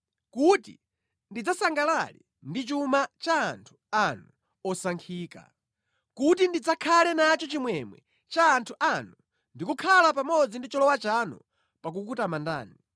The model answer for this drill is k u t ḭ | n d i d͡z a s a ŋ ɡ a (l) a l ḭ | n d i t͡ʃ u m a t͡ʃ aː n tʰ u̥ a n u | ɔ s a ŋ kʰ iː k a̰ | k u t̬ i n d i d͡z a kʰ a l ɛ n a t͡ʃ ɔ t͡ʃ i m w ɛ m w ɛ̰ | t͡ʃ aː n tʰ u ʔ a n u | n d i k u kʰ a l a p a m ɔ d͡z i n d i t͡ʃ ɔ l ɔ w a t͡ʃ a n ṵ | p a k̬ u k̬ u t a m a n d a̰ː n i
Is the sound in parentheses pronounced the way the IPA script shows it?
yes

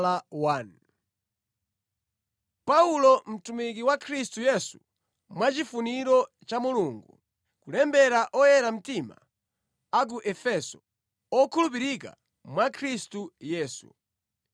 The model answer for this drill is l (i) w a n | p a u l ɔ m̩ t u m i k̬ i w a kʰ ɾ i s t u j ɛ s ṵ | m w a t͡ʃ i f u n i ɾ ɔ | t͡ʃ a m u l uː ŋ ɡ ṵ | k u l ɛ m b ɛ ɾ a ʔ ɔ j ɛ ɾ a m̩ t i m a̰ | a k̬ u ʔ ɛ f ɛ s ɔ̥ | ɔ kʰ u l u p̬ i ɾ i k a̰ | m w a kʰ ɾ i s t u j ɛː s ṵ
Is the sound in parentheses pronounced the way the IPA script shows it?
no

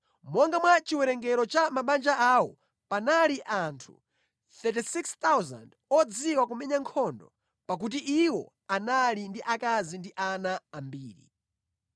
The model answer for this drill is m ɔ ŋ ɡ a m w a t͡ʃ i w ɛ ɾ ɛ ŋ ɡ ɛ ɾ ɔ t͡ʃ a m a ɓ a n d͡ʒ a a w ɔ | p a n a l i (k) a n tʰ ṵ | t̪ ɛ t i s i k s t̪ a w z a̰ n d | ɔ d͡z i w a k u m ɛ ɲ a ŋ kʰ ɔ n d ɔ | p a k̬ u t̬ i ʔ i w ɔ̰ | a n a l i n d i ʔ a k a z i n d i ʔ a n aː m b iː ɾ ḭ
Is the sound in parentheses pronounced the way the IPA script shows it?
no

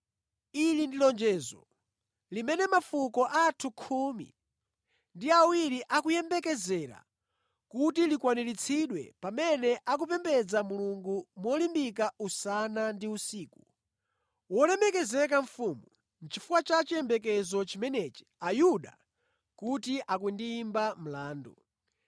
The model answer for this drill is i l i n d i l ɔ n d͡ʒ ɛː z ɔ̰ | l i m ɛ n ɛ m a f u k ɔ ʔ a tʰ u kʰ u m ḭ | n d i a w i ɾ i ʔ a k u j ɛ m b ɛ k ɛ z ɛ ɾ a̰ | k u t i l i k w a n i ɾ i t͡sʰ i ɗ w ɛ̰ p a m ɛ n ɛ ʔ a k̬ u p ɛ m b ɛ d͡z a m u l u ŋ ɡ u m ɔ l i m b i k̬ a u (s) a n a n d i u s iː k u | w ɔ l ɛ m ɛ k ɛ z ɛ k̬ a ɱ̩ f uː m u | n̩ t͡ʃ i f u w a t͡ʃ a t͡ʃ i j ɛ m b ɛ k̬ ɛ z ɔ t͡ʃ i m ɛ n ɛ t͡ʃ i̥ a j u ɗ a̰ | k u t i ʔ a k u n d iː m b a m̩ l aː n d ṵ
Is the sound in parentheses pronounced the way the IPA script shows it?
yes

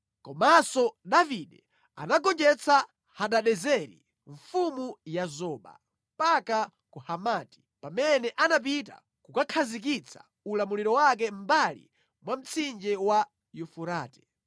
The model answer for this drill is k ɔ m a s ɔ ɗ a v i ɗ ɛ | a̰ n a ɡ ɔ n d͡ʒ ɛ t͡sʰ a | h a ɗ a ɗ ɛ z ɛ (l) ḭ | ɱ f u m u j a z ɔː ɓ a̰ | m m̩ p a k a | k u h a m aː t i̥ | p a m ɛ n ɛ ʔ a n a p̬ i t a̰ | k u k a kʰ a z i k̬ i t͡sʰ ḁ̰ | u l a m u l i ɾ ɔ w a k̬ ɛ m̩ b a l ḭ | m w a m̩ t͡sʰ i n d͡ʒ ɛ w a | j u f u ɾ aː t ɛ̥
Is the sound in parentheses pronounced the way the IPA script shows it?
no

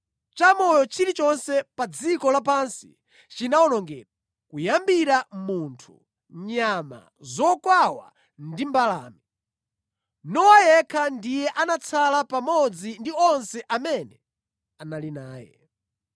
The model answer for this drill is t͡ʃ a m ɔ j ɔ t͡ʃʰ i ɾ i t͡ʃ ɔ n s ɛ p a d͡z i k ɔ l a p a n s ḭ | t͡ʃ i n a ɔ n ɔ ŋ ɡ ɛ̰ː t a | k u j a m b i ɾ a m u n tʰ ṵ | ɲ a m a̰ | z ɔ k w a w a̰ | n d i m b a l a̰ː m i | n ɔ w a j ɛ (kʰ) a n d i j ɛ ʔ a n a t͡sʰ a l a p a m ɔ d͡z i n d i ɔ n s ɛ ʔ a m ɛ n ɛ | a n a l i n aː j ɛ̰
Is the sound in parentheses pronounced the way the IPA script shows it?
yes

